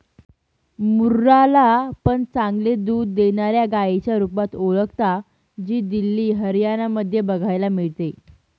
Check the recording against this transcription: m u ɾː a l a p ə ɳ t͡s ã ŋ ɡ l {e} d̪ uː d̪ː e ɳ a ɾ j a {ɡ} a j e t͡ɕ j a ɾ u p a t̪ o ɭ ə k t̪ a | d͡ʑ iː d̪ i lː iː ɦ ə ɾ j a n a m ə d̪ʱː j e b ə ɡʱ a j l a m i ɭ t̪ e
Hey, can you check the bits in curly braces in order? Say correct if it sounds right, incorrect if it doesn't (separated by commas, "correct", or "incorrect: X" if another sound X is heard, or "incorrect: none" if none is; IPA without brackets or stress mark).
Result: correct, correct